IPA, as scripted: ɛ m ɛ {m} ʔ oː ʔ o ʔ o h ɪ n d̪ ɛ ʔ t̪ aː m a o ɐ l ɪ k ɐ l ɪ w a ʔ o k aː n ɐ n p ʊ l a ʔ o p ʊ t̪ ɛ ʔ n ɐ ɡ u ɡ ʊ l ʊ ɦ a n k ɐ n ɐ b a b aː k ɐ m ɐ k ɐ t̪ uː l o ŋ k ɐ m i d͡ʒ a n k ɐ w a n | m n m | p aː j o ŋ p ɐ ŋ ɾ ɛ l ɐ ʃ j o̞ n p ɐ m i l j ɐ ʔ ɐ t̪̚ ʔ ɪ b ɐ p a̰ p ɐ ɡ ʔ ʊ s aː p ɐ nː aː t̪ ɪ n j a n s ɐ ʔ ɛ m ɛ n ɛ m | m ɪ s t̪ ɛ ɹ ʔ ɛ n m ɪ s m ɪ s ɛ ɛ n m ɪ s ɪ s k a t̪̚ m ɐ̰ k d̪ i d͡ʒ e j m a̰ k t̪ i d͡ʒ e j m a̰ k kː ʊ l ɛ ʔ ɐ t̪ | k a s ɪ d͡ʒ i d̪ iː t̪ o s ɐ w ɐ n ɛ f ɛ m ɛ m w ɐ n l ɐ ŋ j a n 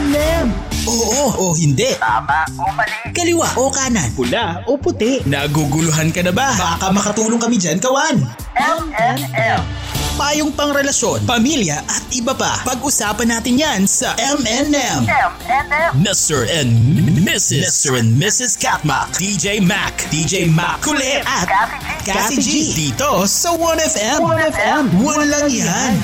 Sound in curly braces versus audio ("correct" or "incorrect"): correct